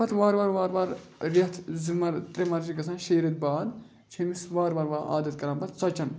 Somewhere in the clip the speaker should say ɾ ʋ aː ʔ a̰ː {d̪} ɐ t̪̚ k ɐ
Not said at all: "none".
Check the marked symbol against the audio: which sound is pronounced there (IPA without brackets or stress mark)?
d̪